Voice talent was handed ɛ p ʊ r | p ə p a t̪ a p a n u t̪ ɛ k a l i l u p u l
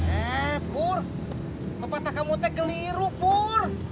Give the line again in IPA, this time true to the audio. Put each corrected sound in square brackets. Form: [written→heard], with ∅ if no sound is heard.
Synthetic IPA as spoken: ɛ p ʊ r | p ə p a t̪ a [p→k] a [n→m] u t̪ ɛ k [a→ə] l i [l→ɾ] u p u [l→r]